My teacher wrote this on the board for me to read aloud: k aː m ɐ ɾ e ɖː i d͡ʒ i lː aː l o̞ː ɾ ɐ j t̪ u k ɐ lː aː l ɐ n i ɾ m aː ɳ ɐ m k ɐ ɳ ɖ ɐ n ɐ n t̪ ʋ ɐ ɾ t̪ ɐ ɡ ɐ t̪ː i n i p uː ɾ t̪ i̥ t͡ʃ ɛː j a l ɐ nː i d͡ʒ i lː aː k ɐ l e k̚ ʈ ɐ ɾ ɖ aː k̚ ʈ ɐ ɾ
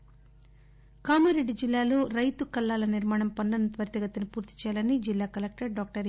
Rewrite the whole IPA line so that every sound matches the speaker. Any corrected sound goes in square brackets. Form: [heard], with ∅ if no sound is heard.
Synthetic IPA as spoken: k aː m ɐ ɾ e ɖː i d͡ʒ i lː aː l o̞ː ɾ ɐ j t̪ u k ɐ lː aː l ɐ n i ɾ m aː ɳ ɐ m [p] ɐ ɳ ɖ ɐ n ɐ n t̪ ʋ ɐ ɾ t̪ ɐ ɡ ɐ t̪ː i n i p uː ɾ t̪ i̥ t͡ʃ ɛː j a l ɐ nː i d͡ʒ i lː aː k ɐ l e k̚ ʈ ɐ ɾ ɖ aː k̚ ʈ ɐ ɾ